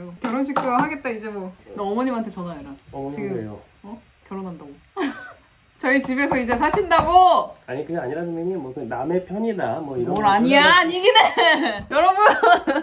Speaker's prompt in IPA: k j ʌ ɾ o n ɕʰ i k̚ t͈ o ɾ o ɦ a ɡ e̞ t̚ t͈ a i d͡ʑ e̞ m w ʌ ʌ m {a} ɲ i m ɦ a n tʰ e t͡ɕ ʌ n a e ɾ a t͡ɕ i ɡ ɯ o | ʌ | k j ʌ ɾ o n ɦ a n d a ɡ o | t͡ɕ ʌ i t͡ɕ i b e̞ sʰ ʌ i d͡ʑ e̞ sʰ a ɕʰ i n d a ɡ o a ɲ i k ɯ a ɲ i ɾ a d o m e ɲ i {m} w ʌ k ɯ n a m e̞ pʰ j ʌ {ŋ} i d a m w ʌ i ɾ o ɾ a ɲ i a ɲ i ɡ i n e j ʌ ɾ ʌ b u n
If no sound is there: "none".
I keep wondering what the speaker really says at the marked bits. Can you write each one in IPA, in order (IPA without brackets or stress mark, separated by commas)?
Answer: ʌ, m, ɲ